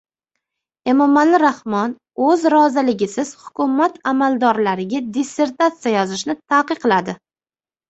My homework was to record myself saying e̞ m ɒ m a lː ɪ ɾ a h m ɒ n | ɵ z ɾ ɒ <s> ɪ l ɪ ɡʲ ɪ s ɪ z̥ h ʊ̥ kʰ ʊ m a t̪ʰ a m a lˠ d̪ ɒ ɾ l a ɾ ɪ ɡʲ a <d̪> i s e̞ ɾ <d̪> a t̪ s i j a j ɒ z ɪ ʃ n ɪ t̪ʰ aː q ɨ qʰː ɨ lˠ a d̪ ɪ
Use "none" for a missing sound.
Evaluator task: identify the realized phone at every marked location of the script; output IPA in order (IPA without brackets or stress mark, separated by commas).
z, d̪, t̪